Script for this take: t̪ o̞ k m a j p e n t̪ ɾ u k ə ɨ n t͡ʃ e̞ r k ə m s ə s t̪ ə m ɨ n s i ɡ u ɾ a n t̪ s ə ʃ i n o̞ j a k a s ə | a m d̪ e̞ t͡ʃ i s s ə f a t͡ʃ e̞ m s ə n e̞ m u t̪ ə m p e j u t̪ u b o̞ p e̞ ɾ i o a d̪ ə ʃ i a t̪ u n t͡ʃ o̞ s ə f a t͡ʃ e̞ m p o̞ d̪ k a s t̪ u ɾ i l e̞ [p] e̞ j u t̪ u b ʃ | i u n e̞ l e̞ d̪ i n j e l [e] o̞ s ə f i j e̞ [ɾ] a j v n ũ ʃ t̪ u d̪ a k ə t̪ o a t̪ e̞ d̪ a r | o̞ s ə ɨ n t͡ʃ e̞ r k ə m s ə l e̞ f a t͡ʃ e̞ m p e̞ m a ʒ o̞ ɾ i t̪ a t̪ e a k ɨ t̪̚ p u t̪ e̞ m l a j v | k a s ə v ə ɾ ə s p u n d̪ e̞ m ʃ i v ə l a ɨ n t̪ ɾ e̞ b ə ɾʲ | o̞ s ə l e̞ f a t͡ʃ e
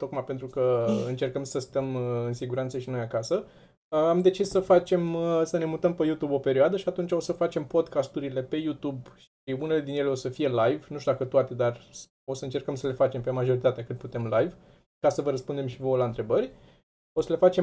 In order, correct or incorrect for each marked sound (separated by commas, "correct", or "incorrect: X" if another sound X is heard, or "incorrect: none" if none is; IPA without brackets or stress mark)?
correct, correct, incorrect: l